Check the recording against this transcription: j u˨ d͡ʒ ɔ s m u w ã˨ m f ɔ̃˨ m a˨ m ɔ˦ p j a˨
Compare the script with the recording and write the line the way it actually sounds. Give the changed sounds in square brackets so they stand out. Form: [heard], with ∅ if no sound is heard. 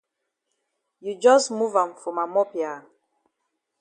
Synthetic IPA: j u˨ d͡ʒ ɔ s m u [v] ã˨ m f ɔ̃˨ m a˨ m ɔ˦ p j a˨